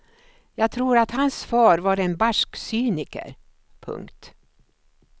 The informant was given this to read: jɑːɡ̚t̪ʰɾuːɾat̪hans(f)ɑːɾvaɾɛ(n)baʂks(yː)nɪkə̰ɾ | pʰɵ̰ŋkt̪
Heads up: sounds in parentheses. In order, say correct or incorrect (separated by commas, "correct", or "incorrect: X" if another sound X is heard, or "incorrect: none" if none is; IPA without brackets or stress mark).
correct, correct, correct